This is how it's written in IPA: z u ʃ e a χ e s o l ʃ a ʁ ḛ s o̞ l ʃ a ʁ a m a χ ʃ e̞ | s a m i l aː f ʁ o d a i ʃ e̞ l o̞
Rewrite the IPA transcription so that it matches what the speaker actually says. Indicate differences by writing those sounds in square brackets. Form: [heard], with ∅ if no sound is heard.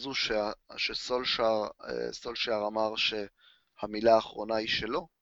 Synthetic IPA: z u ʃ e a [ʃ] e s o l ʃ a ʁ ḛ s o̞ l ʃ a ʁ a m a [ʁ] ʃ e̞ | [h] a m i l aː [χ] ʁ o [n] a i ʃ e̞ l o̞